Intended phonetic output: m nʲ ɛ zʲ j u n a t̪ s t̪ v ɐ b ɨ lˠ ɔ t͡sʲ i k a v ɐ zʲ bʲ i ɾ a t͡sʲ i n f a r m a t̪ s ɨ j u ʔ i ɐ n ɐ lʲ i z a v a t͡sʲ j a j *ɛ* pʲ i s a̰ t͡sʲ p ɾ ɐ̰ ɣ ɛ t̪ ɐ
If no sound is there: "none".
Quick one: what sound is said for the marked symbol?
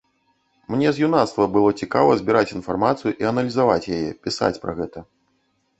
ɛ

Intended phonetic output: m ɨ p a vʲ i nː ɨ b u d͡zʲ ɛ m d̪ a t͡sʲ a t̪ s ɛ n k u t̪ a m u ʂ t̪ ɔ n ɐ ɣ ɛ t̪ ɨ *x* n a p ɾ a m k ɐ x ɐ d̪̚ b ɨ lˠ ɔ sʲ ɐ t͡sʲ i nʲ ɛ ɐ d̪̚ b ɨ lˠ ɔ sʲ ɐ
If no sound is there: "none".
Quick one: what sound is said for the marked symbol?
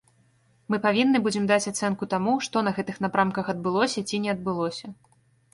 x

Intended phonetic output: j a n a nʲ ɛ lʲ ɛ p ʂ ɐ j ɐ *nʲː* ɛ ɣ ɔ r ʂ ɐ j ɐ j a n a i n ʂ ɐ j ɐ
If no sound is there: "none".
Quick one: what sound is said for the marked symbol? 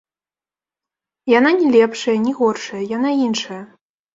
nʲ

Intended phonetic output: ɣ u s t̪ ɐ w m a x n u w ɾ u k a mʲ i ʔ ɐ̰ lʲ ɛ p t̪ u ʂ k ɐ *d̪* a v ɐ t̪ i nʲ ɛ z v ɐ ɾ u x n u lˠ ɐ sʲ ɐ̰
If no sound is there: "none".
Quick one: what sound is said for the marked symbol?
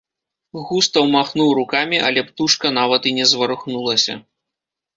n̪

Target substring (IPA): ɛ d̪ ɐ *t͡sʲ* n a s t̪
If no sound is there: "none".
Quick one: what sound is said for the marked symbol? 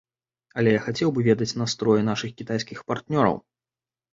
t͡sʲ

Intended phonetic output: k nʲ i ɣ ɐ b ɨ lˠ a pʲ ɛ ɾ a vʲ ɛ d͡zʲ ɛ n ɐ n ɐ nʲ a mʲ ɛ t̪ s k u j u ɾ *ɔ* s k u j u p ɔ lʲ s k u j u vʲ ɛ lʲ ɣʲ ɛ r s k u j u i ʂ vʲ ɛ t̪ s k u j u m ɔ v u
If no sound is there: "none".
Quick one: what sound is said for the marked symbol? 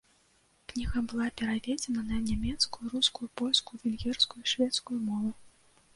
u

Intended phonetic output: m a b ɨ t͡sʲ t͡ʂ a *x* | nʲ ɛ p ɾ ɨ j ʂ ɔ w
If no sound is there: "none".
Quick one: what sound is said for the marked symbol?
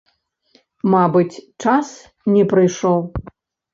s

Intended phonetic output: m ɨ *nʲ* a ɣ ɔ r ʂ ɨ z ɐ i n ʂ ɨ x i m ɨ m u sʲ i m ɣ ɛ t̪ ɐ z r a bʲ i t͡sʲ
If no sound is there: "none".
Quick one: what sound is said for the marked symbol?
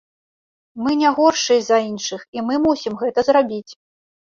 nʲ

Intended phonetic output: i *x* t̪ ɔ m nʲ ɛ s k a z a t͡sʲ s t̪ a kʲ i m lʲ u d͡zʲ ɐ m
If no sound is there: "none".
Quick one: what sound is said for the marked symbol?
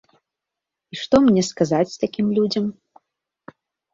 ʂ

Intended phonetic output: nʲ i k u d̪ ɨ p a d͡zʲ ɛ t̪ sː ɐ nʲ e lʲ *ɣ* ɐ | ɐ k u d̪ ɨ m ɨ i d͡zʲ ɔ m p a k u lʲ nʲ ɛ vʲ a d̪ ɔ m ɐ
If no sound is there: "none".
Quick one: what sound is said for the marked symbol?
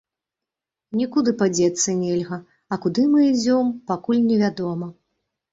ɣ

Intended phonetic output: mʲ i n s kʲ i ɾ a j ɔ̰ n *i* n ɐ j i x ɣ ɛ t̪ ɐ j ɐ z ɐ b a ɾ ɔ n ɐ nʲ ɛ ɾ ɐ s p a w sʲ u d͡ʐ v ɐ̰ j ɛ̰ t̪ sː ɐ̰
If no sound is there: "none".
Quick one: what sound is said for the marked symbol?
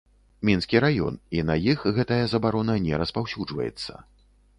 i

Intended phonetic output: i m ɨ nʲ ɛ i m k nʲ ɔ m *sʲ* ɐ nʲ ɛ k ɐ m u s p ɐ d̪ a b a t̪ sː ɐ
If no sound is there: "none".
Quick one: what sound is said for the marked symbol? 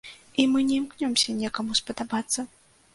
sʲ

